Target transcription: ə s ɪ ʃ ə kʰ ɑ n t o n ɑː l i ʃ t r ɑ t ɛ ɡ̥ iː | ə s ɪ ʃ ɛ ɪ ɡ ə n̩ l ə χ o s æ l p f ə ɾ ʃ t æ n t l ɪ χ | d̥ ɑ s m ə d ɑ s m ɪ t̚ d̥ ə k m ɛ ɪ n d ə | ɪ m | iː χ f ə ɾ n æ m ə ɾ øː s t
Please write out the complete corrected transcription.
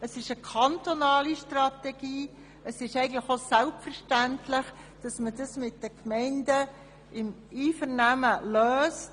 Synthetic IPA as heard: ə s ɪ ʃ ə kʰ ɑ n t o n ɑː l i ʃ t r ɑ t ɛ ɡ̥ iː | ə s ɪ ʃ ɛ ɪ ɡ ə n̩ l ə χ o s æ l p f ə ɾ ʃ t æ n t l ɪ χ | d̥ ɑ s m ə d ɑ s m ɪ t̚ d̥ ə k m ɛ ɪ n d ə | ɪ m | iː f ə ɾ n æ m ə l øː s t